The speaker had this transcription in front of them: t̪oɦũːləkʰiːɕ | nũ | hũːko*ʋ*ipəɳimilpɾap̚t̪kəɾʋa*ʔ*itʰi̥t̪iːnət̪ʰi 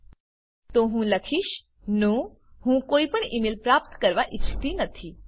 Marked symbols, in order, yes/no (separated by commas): no, yes